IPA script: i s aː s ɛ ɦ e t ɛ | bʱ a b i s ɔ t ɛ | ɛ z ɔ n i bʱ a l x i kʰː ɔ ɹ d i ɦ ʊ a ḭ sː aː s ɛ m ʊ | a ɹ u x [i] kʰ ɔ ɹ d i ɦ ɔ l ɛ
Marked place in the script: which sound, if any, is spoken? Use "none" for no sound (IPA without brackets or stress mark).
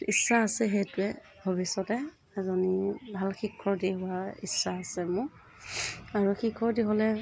i